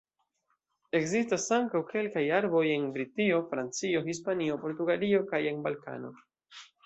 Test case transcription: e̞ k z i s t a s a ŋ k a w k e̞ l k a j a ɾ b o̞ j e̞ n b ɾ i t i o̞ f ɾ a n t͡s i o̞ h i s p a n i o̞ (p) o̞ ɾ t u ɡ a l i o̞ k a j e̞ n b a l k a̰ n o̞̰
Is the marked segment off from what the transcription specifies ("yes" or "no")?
no